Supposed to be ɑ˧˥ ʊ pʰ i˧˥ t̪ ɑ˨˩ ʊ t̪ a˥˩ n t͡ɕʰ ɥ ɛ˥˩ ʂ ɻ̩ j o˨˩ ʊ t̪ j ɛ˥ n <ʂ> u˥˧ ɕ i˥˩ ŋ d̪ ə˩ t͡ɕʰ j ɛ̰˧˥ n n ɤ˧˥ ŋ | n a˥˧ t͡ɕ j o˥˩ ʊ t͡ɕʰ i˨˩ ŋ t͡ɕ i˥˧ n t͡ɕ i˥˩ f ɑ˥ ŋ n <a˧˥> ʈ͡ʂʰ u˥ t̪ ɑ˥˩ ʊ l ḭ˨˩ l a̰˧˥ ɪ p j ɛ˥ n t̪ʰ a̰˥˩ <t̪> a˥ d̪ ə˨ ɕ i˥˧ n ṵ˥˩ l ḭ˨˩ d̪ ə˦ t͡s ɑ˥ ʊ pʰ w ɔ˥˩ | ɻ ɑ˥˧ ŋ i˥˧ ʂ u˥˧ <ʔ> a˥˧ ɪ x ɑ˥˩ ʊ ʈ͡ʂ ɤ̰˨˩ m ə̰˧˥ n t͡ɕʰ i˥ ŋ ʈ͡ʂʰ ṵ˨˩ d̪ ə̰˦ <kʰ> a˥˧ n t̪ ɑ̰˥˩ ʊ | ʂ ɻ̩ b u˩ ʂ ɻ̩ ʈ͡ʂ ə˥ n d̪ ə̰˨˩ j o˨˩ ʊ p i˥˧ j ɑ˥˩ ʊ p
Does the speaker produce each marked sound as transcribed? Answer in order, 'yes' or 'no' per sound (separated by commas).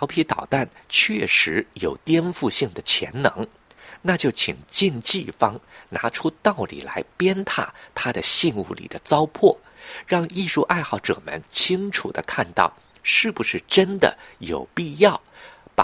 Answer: no, yes, no, yes, yes